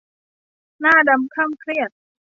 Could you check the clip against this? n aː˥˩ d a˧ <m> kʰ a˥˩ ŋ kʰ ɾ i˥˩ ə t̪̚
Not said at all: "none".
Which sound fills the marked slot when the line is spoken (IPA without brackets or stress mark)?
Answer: m